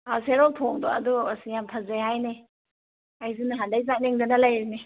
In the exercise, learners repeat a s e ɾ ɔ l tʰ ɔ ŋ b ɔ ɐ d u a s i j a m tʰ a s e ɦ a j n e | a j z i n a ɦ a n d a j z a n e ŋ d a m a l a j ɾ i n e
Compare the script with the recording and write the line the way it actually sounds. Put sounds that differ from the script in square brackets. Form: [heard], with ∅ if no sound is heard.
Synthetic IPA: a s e ɾ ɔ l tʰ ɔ ŋ [d] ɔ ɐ d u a s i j a m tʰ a [z] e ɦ a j n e | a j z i n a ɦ a n d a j z a n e ŋ d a [n] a l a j ɾ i n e